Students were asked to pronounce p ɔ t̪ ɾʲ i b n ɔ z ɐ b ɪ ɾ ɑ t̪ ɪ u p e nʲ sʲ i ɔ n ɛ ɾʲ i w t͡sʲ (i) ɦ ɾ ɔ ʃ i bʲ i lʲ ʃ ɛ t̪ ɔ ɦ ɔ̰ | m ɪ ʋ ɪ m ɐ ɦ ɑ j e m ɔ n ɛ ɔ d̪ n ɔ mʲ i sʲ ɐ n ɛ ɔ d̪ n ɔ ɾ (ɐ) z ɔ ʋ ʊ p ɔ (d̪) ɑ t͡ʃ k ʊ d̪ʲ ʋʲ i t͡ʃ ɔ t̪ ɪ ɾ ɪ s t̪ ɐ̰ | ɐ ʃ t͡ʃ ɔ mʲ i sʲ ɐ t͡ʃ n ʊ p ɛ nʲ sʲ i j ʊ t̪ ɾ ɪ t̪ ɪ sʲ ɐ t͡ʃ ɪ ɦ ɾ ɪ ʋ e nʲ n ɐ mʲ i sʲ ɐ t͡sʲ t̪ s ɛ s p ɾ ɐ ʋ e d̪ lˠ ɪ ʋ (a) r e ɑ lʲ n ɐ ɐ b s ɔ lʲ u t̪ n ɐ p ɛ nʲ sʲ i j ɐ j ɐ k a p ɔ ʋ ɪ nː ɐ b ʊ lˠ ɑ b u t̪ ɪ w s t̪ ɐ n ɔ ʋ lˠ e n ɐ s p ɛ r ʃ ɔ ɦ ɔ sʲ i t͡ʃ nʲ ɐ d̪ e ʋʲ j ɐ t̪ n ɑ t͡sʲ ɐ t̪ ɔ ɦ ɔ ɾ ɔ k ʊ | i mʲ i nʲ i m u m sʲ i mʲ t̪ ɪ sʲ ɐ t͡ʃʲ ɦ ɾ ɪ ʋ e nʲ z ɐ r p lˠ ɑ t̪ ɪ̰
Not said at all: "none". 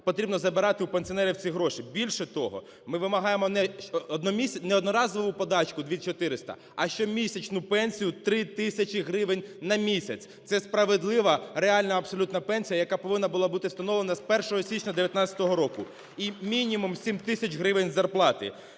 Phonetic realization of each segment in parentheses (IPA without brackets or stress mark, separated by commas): i, ɑ, d̪, ɐ